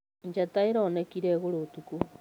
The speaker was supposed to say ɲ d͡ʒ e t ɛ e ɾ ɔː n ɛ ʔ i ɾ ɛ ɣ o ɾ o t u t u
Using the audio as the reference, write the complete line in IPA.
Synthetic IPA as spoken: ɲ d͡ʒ a t a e ɾ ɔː n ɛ k i ɾ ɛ ɣ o ɾ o t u k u